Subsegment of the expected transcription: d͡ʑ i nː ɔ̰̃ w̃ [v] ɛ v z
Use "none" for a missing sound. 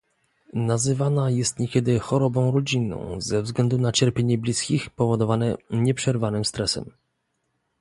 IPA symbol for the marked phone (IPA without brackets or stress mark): z